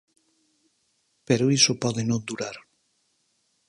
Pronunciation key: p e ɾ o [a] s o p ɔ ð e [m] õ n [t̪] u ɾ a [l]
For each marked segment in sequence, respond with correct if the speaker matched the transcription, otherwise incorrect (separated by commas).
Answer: incorrect, incorrect, incorrect, incorrect